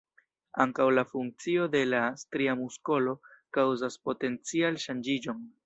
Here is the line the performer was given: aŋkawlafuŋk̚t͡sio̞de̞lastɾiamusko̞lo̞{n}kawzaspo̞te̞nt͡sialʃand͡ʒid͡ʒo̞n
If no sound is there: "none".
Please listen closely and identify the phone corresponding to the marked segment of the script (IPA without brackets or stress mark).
none